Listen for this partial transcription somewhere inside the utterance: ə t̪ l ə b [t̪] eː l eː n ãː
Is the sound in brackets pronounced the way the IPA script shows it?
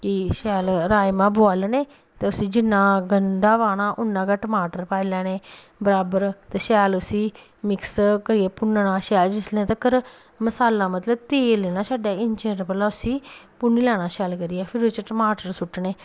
yes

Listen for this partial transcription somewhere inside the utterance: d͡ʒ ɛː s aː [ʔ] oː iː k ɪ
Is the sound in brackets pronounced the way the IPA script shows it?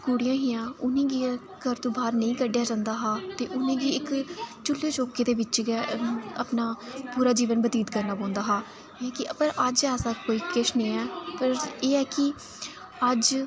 no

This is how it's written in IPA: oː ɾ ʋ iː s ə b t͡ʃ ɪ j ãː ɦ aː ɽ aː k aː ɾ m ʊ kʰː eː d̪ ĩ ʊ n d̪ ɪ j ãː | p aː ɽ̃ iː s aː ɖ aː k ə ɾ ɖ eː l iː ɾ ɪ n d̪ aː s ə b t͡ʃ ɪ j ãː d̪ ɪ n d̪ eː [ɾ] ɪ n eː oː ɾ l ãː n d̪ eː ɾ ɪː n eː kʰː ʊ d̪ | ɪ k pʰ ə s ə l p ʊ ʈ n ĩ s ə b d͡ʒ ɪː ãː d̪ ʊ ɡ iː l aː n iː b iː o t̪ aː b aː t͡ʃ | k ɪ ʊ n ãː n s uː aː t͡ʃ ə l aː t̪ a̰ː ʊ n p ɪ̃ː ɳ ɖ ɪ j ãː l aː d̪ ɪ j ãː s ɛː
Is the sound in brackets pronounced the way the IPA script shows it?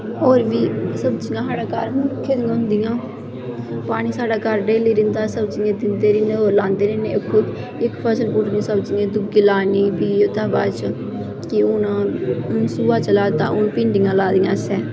yes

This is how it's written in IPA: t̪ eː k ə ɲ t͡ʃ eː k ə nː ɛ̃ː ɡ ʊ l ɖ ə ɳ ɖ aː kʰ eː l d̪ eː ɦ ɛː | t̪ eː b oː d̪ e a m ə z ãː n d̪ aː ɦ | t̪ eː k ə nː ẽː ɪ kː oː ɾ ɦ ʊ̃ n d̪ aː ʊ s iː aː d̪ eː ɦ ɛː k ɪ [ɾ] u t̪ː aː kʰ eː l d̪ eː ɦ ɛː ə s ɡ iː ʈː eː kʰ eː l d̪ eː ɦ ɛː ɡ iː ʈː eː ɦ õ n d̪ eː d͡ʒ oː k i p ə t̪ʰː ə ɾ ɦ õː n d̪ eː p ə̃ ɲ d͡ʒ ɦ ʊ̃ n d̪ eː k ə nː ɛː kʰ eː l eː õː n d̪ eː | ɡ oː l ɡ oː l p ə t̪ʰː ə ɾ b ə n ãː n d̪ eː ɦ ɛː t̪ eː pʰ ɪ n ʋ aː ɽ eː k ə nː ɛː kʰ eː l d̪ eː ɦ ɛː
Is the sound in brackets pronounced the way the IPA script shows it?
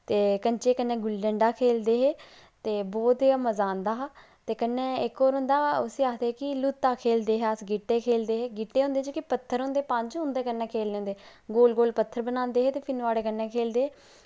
no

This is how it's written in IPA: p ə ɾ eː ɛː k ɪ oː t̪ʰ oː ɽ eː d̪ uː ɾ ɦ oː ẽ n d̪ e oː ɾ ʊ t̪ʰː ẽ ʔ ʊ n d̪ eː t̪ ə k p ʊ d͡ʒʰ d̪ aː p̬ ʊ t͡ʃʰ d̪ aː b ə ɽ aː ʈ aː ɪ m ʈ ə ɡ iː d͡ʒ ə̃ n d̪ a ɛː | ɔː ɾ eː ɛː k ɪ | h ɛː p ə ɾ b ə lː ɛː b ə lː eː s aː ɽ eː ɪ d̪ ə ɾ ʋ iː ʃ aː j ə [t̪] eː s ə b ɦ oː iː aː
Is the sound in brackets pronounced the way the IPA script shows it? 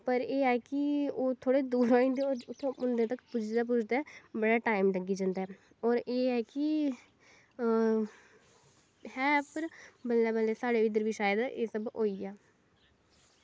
no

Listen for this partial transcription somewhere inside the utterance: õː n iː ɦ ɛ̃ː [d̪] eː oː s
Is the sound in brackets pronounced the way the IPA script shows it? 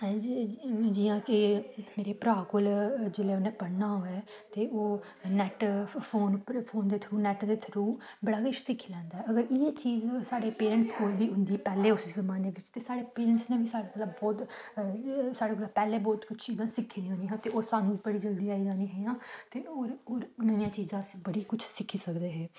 no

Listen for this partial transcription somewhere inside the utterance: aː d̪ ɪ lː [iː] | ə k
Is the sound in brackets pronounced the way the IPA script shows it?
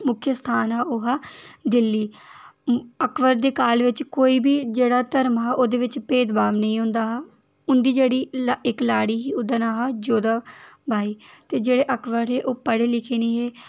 yes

